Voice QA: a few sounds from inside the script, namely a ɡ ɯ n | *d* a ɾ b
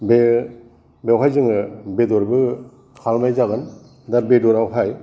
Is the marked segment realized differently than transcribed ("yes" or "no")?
no